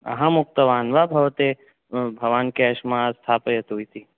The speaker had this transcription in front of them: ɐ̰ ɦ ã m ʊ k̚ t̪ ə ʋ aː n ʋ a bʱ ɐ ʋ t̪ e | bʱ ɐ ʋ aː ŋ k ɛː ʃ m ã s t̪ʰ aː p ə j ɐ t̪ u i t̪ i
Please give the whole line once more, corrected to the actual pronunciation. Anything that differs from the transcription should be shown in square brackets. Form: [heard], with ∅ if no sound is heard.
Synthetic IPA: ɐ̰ ɦ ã m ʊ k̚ t̪ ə ʋ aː n ʋ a bʱ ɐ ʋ t̪ e | bʱ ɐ ʋ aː [n] k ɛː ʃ m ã s t̪ʰ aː p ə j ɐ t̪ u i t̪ i

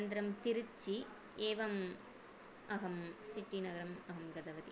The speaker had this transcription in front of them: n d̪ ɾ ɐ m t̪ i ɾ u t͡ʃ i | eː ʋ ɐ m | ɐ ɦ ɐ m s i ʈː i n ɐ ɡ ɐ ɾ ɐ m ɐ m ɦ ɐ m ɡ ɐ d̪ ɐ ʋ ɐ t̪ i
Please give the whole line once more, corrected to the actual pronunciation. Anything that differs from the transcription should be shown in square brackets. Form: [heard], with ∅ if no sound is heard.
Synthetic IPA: n d̪ ɾ ɐ m t̪ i ɾ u t͡ʃ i | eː ʋ ɐ m | ɐ ɦ ɐ m s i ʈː i n ɐ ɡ ɐ ɾ ɐ m ɐ [∅] ɦ ɐ m ɡ ɐ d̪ ɐ ʋ ɐ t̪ i

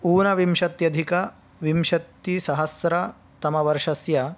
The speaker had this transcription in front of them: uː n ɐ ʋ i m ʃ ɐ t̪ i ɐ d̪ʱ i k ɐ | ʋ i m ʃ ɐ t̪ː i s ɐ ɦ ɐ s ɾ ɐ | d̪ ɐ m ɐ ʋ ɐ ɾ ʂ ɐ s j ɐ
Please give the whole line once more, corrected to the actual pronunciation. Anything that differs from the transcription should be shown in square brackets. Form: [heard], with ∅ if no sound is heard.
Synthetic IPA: uː n ɐ ʋ i m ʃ ɐ t̪ [j] ɐ d̪ʱ i k ɐ | ʋ i m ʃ ɐ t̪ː i s ɐ ɦ ɐ s ɾ ɐ | [t̪] ɐ m ɐ ʋ ɐ ɾ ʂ ɐ s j ɐ

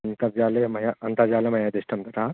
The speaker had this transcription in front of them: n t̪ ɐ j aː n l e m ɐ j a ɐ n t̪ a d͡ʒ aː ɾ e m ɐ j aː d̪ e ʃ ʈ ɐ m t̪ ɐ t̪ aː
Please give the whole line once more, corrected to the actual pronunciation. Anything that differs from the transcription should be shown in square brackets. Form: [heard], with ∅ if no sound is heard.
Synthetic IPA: n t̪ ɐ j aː [∅] l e m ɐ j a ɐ n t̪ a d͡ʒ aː [l] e m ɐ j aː d̪ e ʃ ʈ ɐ m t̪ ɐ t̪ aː

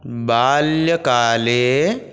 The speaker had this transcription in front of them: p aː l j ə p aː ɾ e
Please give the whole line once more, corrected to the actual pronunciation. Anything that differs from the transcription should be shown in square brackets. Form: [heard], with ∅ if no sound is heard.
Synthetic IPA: [b] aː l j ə [k] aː [l] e

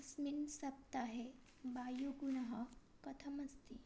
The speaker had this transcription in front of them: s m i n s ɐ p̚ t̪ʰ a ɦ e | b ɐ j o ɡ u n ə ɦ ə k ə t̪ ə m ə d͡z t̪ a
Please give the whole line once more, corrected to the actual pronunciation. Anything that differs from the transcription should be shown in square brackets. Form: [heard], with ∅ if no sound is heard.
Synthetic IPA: s m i n s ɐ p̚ [t̪] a ɦ e | b [a] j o ɡ u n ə ɦ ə k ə [t̪ʰ] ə m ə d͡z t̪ [i]

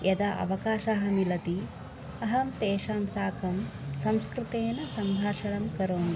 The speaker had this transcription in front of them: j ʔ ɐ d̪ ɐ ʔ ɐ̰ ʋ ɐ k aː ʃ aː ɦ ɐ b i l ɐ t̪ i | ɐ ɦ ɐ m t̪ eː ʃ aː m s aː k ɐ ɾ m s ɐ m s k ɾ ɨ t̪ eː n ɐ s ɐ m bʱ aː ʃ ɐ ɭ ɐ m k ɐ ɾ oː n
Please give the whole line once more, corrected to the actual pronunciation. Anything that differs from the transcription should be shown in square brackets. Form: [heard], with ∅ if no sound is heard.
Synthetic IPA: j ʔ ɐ d̪ ɐ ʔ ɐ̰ ʋ ɐ k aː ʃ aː ɦ ɐ [m] i l ɐ t̪ i | ɐ ɦ ɐ m t̪ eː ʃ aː m s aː k ɐ [∅] m s ɐ m s k ɾ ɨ t̪ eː n ɐ s ɐ m bʱ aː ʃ ɐ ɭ ɐ m k ɐ ɾ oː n

